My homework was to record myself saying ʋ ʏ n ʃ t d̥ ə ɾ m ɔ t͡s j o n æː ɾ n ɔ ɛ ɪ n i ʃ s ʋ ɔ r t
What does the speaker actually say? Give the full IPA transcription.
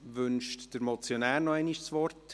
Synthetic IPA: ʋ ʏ n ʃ t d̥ ə ɾ m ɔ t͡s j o n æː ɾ n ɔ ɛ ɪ n i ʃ s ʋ ɔ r t

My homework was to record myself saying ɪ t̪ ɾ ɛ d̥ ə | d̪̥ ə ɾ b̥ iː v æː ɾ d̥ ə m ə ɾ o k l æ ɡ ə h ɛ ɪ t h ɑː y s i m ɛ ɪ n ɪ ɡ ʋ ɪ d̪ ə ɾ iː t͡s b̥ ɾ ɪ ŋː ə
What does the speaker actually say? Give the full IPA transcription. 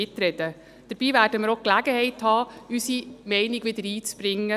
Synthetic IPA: ɪ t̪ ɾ ɛ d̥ ə | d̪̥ ə ɾ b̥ iː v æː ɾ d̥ ə m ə ɾ o k l æ ɡ ə h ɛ ɪ t h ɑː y s i m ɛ ɪ n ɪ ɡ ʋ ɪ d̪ ə ɾ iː t͡s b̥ ɾ ɪ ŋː ə

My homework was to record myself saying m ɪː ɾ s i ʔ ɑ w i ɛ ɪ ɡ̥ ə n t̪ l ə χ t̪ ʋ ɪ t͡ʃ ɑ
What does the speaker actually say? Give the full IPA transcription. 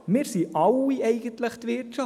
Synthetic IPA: m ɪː ɾ s i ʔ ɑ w i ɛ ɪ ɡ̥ ə n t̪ l ə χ t̪ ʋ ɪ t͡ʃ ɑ

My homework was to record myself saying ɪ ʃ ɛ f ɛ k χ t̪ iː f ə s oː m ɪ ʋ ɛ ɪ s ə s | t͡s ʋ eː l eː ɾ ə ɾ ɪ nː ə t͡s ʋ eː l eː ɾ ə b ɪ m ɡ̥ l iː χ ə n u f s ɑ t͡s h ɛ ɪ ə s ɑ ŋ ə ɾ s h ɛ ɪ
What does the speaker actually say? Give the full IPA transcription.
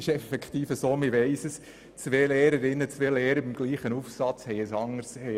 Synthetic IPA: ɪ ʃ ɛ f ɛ k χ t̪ iː f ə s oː m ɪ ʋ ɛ ɪ s ə s | t͡s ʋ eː l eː ɾ ə ɾ ɪ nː ə t͡s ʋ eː l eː ɾ ə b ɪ m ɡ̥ l iː χ ə n u f s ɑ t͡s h ɛ ɪ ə s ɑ ŋ ə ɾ s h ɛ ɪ

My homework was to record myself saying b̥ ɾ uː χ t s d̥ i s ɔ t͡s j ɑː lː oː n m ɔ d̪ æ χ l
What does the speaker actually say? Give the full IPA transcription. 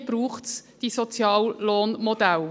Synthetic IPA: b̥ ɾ uː χ t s d̥ i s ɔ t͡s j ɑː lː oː n m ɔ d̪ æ l

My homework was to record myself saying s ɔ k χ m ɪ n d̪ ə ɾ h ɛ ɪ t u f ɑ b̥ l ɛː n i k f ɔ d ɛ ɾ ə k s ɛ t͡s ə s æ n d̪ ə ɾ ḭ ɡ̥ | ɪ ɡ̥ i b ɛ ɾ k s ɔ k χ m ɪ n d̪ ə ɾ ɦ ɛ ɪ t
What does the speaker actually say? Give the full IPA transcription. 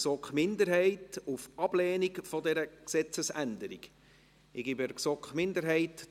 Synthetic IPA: s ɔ k χ m ɪ n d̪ ə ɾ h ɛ ɪ t u f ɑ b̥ l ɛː n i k f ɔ d ɛ ɾ ə k s ɛ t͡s ə s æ n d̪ ə ɾ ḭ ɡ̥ | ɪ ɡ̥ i b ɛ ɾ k s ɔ k χ m ɪ n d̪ ə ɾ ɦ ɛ ɪ t

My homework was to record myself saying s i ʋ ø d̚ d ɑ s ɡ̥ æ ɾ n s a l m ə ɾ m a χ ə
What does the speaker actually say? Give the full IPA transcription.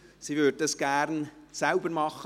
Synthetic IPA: s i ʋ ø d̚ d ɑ s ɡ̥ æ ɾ n s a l b ə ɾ m ɑ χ ə

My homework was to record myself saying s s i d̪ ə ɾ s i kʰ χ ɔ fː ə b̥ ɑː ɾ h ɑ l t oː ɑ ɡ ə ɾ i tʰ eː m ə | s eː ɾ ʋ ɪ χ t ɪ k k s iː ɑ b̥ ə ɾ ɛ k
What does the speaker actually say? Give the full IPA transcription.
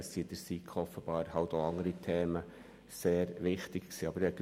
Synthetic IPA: s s i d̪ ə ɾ s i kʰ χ ɔ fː ə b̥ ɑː ɾ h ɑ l t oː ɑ ŋ ə ɾ i tʰ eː m ə | s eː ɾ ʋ ɪ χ t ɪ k k s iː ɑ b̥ ə ɾ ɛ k

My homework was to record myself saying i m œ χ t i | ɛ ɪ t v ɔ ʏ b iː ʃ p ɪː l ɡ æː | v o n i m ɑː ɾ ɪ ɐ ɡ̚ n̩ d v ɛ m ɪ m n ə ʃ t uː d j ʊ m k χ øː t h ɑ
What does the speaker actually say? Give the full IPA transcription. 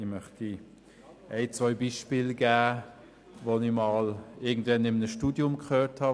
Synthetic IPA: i m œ χ t i | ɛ ɪ t͡s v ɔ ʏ b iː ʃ p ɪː l ɡ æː | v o n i m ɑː l ɪ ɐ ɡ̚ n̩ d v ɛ n ɪ m n ə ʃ t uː d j ʊ m k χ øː t h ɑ

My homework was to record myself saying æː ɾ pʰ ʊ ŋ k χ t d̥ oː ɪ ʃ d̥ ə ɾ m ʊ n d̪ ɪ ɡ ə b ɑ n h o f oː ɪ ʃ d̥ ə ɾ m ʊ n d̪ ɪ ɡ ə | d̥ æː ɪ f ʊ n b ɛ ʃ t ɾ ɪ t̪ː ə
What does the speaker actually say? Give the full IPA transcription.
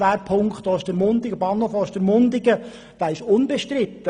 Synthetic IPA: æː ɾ pʰ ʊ ŋ k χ t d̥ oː ɪ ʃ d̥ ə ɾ m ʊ n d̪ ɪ ɡ ə b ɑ n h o f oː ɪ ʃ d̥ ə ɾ m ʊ n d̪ ɪ ɡ ə | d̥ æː ɪ ʃ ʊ n b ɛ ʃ t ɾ ɪ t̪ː ə

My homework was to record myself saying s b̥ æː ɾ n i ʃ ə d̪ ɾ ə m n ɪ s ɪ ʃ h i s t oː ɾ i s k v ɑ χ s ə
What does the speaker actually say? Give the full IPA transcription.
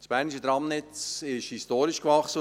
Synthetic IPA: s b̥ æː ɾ n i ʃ ə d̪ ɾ ɑ m n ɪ t͡s ɪ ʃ h i s t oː ɾ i ʃ k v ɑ χ s ə

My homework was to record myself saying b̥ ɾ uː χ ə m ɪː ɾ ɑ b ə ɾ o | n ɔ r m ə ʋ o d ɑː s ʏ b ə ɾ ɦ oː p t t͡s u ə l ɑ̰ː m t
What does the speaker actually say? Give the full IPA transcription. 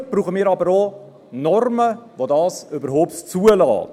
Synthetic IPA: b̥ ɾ uː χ ə m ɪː ɾ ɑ b ə ɾ o | n ɔ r m ə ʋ o d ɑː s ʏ b ə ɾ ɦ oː p t t͡s u ə l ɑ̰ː t

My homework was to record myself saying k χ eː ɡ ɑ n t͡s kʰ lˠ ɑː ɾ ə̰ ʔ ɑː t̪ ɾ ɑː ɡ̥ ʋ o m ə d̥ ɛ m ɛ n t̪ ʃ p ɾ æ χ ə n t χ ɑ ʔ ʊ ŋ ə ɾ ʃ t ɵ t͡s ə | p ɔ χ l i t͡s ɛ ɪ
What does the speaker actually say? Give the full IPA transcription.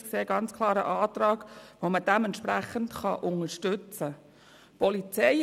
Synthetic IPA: k s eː ɡ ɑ n t͡s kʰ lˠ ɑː ɾ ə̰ ʔ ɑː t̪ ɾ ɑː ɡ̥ ʋ o m ə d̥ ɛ m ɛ n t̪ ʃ p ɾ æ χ ə n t χ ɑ ʔ ʊ ŋ ə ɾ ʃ t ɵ t͡s ə | p ɔ l i t͡s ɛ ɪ

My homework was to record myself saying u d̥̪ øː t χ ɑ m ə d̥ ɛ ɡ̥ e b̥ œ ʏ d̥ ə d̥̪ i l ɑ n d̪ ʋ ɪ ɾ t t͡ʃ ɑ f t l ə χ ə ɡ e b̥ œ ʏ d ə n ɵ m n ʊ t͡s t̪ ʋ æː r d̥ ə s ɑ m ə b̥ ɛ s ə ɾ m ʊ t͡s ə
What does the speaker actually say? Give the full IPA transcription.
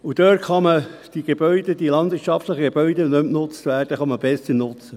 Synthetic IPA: u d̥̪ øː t χ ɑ m ə d̥ i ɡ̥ e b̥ œ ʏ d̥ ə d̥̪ i l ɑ n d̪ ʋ ɪ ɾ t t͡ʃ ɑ f t l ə χ ə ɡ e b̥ œ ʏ d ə n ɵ m n ʊ t͡s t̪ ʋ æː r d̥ ə χ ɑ m ə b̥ ɛ s ə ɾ n ʊ t͡s ə

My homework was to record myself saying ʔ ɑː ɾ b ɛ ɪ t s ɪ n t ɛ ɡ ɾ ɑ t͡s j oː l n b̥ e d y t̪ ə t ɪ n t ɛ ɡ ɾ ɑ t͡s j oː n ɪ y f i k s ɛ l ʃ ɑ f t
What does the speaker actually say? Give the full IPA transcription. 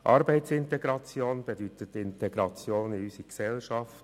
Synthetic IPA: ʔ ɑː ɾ b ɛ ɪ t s ɪ n t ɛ ɡ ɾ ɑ t͡s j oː n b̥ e d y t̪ ə t ɪ n t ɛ ɡ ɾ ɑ t͡s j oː n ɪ y s i k s ɛ l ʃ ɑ f t

